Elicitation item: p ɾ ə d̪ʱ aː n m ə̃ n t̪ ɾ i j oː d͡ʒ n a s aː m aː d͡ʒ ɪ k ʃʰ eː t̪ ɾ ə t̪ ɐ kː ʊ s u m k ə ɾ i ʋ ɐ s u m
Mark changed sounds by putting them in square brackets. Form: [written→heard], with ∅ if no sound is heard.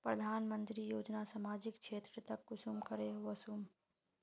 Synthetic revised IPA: p ɾ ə d̪ʱ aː n m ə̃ n t̪ ɾ i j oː d͡ʒ n a s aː m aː d͡ʒ ɪ k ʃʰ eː t̪ ɾ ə t̪ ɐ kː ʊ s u m k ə ɾ [i→e] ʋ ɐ s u m